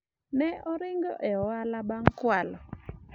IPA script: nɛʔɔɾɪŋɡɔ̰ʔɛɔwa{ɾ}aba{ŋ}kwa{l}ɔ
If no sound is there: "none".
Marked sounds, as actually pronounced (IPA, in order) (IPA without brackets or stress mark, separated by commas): l, ŋ, l